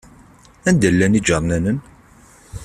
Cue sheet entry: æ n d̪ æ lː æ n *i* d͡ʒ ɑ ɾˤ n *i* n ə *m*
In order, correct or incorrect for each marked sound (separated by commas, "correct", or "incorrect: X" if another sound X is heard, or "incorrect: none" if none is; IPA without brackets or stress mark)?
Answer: correct, incorrect: æ, incorrect: n